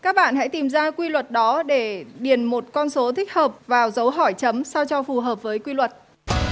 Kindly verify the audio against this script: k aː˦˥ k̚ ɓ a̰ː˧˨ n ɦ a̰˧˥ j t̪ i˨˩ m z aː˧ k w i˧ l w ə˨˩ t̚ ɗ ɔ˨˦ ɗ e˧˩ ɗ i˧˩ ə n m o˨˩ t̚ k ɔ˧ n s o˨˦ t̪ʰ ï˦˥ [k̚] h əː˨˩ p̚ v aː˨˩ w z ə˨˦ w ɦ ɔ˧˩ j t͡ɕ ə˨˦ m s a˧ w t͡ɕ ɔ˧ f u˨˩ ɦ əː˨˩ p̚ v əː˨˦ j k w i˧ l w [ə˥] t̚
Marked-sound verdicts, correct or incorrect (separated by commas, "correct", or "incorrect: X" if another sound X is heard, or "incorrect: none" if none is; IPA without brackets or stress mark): correct, incorrect: ə˨˩